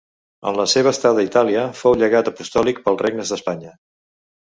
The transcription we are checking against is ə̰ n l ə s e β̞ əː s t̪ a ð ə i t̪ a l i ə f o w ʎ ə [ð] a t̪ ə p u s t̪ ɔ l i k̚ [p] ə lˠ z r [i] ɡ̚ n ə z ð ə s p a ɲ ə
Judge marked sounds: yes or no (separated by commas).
no, yes, no